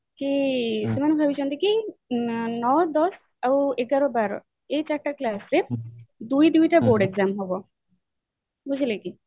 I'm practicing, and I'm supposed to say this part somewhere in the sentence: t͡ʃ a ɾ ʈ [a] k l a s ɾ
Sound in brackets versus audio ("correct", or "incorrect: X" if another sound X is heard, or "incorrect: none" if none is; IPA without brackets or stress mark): correct